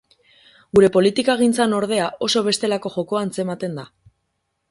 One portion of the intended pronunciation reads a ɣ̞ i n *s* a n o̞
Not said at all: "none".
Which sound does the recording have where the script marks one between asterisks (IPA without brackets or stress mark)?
t͡s